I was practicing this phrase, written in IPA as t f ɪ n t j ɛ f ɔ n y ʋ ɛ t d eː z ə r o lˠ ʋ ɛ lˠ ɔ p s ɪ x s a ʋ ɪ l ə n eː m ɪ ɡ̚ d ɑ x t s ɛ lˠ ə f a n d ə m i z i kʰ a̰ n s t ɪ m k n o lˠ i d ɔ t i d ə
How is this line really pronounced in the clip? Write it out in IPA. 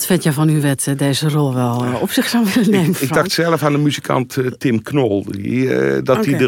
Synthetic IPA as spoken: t f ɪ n t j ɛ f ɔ n y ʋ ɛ t d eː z ə r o lˠ ʋ ɛ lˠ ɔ p s ɪ x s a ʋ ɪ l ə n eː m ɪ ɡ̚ d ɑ x t s ɛ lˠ ə f a n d ə m y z i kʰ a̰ n t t ɪ m k n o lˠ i d ɔ t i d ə